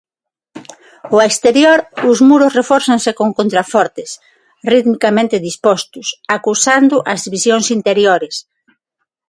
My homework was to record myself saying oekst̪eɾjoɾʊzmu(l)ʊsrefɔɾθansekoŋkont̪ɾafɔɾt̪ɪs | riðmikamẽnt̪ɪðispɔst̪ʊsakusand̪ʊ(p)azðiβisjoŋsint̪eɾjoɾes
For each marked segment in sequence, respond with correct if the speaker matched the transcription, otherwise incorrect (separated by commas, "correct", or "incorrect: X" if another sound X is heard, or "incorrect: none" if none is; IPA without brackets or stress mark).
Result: incorrect: ɾ, incorrect: ʔ